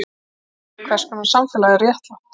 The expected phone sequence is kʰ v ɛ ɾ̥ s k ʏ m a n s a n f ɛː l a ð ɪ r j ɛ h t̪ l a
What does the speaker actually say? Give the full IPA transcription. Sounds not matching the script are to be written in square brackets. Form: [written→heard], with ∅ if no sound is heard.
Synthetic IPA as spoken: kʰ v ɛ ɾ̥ s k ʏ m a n s a [n→m] f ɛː l a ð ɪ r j ɛ h t̪ l a